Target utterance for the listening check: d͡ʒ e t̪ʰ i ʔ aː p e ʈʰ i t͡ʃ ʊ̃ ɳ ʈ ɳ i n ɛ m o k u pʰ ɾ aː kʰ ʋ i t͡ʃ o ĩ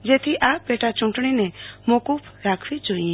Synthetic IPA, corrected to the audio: d͡ʒ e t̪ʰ i ʔ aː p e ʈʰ a t͡ʃ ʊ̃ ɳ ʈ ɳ i n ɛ m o k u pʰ ɾ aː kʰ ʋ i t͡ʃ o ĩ